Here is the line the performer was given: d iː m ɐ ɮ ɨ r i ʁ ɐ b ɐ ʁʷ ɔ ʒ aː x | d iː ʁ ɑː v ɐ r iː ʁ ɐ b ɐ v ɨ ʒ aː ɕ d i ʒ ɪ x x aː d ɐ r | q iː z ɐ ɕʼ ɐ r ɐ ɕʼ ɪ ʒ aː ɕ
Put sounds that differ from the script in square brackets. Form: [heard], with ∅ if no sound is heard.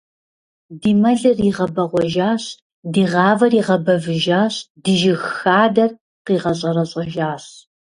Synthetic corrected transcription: d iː m ɐ ɮ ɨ r i ʁ ɐ b ɐ ʁʷ ɔ ʒ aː [ɕ] | d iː ʁ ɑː v ɐ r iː ʁ ɐ b ɐ v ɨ ʒ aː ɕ d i ʒ ɪ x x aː d ɐ r | q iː [ʁ] ɐ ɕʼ ɐ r ɐ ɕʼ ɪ ʒ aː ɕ